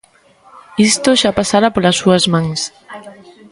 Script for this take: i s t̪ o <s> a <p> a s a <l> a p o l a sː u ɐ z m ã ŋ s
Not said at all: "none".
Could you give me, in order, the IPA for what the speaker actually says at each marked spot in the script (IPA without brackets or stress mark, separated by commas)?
ʃ, p, ɾ